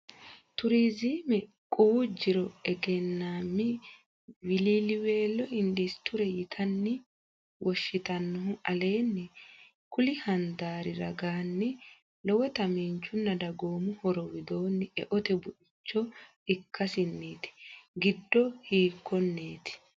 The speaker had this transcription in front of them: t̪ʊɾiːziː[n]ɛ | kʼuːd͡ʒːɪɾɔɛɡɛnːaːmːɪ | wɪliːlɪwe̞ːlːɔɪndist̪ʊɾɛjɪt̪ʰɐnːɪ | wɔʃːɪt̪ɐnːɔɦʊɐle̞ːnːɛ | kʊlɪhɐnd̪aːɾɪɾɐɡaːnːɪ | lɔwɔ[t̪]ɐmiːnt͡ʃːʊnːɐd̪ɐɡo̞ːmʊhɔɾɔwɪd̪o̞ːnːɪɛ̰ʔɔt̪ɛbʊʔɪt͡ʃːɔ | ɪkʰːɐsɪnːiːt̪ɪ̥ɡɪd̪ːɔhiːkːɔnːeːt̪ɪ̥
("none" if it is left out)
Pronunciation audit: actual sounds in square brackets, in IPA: m, t̪

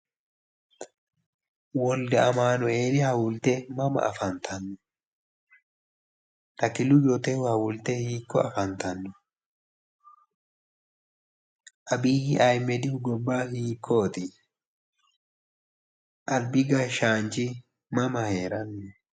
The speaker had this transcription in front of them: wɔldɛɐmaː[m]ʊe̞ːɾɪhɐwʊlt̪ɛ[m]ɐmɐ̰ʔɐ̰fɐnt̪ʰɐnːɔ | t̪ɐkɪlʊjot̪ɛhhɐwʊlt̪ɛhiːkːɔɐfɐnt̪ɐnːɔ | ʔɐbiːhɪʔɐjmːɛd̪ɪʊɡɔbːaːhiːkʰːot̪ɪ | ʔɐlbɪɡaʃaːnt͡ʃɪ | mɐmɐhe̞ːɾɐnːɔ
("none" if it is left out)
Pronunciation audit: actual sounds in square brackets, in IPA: n, m

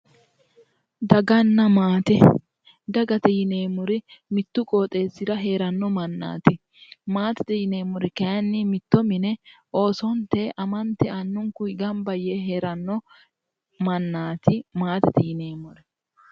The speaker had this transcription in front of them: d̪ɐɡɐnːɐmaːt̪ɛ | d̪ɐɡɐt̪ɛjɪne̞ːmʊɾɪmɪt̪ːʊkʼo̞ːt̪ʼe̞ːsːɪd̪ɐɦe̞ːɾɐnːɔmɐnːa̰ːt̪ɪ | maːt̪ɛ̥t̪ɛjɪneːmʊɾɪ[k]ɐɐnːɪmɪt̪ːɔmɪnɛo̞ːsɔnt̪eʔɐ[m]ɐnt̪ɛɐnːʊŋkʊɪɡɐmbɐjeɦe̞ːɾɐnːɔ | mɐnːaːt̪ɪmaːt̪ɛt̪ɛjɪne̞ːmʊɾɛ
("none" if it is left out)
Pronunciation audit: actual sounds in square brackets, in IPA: k, m

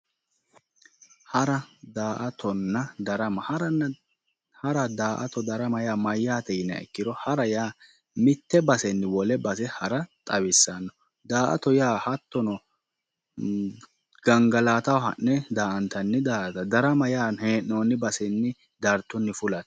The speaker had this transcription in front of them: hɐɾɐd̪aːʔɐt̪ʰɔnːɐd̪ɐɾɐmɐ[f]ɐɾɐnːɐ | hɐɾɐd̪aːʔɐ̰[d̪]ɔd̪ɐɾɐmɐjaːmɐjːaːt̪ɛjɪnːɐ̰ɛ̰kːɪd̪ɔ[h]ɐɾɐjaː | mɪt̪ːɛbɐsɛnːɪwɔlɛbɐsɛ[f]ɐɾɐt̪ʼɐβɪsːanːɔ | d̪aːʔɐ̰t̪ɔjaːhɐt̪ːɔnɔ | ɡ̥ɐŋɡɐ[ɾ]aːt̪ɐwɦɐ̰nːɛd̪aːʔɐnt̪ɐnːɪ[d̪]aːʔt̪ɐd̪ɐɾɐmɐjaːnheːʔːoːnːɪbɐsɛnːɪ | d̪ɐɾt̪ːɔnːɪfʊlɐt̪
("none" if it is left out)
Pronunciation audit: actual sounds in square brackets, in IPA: h, t̪, h, h, l, d̪

